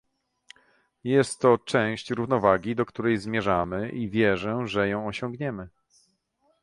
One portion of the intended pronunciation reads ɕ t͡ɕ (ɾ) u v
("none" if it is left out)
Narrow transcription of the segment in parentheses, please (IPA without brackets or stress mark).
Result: ɾ